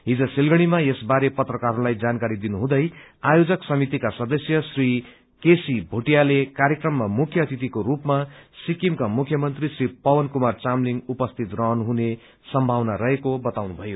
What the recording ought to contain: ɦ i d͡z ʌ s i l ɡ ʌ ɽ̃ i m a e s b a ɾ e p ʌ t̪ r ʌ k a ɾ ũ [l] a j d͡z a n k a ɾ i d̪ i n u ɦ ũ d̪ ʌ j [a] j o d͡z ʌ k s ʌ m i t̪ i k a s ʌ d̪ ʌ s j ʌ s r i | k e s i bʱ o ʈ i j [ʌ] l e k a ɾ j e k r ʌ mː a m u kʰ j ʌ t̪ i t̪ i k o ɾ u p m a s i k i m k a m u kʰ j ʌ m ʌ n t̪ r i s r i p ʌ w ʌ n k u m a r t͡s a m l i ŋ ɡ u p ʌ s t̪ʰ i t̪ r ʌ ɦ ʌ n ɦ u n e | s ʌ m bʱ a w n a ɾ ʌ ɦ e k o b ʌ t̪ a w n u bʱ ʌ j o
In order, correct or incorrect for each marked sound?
correct, correct, incorrect

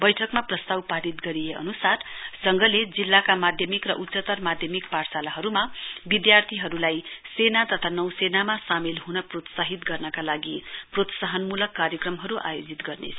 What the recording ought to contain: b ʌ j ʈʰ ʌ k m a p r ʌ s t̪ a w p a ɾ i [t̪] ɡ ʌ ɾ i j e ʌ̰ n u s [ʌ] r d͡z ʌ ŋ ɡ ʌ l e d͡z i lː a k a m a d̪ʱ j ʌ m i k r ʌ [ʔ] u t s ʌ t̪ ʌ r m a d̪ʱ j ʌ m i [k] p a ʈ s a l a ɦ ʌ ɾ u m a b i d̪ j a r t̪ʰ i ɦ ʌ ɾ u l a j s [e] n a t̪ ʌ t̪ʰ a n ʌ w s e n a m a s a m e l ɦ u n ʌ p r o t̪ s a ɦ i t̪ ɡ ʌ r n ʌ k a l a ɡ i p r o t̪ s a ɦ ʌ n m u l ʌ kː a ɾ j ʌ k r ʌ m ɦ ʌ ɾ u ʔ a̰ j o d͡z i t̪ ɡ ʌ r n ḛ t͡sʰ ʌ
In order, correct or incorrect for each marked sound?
correct, incorrect, correct, correct, correct

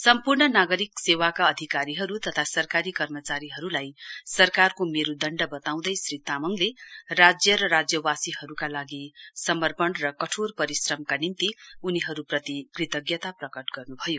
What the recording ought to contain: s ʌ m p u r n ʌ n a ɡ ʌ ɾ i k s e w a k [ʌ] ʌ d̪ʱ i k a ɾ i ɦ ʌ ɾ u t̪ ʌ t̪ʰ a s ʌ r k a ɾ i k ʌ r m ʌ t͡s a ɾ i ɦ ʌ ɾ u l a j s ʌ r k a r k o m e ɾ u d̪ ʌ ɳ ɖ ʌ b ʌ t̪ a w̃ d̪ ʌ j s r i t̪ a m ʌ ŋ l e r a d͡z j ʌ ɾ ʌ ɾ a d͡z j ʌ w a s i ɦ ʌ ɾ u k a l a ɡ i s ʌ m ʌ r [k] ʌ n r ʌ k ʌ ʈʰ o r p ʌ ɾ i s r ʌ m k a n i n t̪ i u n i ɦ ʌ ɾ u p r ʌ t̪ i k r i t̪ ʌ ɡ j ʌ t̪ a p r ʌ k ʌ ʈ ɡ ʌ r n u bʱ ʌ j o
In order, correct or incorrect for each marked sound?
incorrect, incorrect

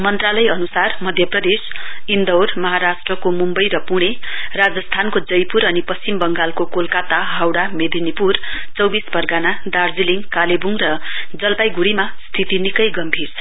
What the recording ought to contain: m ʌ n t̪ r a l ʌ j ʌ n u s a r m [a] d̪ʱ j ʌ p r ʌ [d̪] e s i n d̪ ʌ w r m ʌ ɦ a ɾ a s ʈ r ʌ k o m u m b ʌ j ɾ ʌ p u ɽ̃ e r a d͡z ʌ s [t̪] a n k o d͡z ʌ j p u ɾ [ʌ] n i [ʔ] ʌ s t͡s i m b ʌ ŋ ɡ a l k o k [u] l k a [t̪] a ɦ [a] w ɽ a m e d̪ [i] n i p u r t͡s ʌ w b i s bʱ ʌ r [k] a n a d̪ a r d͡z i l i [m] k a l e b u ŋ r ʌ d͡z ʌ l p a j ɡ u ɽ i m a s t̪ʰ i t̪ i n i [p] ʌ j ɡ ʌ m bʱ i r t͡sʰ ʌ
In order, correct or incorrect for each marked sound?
incorrect, correct, incorrect, correct, incorrect, incorrect, correct, correct, correct, incorrect, incorrect, incorrect

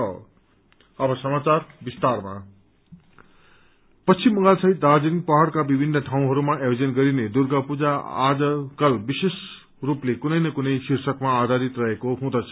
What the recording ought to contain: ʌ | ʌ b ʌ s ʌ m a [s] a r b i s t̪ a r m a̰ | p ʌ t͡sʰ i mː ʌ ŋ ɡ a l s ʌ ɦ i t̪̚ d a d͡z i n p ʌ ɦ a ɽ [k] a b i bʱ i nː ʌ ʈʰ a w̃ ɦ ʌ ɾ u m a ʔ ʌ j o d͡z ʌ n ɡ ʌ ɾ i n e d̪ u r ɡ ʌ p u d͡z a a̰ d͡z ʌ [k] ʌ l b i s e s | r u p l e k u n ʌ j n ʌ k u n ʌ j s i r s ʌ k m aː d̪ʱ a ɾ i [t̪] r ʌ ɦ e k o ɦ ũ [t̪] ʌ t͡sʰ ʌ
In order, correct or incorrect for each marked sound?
incorrect, correct, correct, correct, incorrect

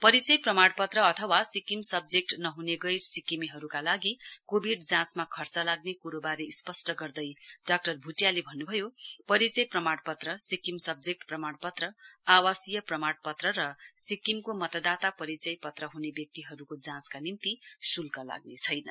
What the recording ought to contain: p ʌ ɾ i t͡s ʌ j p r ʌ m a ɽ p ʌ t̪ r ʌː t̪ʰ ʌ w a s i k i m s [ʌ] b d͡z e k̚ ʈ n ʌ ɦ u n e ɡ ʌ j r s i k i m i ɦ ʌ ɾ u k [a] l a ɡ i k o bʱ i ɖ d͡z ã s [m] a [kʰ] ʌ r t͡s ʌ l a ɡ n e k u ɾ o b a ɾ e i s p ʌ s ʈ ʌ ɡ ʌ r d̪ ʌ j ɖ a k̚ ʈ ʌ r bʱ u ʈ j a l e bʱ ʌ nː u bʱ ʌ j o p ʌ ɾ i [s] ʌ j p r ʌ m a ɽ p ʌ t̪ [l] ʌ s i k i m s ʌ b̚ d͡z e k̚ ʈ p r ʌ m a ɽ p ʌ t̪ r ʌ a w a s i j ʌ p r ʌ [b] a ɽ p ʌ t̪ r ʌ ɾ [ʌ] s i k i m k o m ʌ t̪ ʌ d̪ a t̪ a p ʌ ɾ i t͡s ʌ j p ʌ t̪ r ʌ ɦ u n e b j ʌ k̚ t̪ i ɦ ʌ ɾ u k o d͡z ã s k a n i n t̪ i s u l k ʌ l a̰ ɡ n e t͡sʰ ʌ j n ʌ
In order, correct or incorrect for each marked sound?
correct, correct, correct, correct, incorrect, incorrect, incorrect, correct

